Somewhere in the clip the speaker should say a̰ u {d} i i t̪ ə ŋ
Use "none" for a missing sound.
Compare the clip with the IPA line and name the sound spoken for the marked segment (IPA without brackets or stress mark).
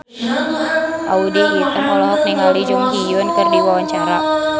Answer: d